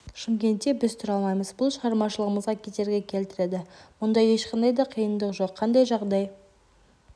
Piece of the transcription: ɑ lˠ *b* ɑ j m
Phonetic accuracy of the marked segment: incorrect: m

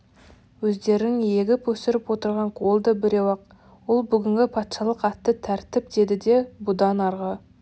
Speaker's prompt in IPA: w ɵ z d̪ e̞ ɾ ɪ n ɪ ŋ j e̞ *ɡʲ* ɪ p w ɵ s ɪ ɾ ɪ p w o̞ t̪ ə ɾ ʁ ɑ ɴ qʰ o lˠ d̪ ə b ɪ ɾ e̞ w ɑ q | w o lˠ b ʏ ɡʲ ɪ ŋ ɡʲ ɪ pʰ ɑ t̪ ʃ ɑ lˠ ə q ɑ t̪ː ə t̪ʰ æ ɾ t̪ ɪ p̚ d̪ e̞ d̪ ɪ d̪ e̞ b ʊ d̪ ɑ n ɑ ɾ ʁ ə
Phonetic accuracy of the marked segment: correct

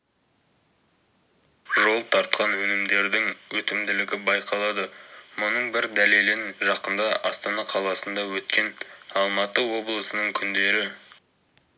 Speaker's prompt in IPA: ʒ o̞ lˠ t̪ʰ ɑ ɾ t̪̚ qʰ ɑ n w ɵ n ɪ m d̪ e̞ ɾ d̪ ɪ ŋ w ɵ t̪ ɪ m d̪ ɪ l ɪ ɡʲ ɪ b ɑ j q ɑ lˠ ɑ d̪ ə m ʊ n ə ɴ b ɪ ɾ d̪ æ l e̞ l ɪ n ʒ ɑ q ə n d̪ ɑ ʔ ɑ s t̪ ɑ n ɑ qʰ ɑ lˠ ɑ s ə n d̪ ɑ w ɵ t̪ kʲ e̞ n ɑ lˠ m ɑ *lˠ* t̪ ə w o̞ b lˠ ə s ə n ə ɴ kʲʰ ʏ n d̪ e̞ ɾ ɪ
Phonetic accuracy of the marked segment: incorrect: none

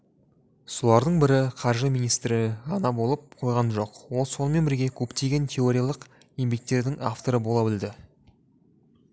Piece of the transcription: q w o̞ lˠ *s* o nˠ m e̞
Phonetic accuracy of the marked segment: correct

